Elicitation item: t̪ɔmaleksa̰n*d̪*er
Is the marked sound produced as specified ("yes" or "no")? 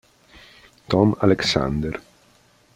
yes